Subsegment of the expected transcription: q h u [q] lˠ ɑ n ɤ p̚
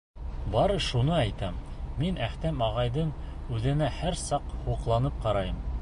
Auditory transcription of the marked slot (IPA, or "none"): q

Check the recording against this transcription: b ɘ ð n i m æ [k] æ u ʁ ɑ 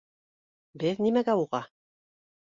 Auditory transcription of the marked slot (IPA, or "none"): ɡ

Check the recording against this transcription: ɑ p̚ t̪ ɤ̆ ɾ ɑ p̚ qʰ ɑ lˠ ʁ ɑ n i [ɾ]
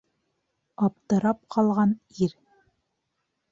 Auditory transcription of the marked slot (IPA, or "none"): ɾ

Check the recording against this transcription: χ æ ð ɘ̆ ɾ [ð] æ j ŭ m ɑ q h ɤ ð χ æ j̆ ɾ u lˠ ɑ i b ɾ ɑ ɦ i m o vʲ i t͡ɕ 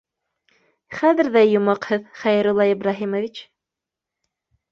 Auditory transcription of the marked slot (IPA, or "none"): ð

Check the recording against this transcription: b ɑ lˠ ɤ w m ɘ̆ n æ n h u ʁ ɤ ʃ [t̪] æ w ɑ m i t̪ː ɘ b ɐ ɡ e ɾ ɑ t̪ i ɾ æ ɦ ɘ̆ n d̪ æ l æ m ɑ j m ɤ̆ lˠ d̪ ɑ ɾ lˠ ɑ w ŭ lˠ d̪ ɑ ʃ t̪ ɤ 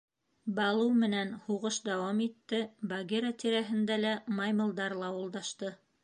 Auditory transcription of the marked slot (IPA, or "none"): d̪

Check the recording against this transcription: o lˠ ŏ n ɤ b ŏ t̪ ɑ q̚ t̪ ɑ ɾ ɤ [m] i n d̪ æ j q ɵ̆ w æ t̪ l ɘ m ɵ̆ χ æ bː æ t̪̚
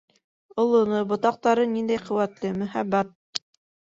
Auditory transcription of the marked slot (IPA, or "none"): n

